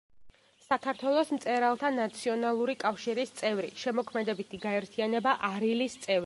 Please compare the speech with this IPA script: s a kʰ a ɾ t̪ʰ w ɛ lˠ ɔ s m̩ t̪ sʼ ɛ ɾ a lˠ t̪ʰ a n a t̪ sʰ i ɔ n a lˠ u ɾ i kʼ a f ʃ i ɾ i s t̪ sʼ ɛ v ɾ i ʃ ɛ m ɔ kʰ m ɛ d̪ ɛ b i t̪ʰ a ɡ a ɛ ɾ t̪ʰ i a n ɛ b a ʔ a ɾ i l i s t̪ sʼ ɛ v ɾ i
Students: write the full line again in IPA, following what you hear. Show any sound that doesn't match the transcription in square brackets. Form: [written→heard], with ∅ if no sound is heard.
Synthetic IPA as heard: s a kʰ a ɾ t̪ʰ w ɛ lˠ ɔ s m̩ t̪ sʼ ɛ ɾ a lˠ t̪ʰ a n a t̪ sʰ i ɔ n a lˠ u ɾ i kʼ a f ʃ i ɾ i s t̪ sʼ ɛ v ɾ i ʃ ɛ m ɔ kʰ m ɛ d̪ ɛ b i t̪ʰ [a→i] ɡ a ɛ ɾ t̪ʰ i a n ɛ b a ʔ a ɾ i l i s t̪ sʼ ɛ v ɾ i